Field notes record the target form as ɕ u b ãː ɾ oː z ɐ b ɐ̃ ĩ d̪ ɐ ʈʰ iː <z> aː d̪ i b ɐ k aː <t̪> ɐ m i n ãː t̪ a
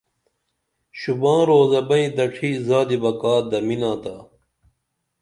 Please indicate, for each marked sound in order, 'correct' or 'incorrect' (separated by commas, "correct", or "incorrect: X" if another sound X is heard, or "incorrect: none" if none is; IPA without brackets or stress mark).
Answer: correct, incorrect: d̪